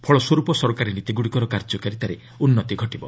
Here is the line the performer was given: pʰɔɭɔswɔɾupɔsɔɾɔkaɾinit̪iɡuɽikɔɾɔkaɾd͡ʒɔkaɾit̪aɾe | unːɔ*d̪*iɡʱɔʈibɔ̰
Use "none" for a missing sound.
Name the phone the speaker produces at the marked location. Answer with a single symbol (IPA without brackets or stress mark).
t̪